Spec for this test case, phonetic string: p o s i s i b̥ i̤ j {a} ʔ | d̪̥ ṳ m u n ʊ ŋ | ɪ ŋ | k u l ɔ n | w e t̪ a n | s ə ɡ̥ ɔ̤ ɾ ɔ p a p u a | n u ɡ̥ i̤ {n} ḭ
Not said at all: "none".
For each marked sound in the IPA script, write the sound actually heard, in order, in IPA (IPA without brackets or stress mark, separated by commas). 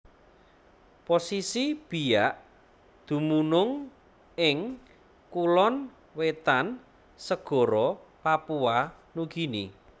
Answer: a, n